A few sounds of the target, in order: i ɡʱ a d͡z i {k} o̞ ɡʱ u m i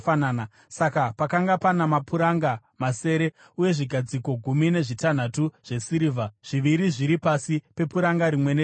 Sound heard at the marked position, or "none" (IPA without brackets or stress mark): k